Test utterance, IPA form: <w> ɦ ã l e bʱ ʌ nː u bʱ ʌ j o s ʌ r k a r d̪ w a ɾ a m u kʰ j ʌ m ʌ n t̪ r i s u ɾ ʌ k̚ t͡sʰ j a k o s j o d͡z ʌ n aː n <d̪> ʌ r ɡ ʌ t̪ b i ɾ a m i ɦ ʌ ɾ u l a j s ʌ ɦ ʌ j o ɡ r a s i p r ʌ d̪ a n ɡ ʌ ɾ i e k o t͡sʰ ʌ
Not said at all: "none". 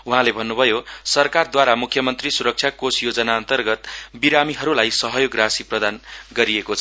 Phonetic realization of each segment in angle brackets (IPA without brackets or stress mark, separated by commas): u, t̪